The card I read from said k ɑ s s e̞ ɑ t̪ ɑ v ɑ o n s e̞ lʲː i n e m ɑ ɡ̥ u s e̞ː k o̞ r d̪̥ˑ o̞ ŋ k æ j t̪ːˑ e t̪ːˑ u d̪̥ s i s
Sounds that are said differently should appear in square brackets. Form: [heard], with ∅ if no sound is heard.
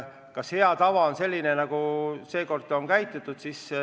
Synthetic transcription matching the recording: k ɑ s [h] e̞ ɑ t̪ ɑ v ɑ o n s e̞ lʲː i n e [n] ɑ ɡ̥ u s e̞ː k o̞ r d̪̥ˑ o̞ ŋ k æ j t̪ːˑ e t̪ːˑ u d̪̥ s i s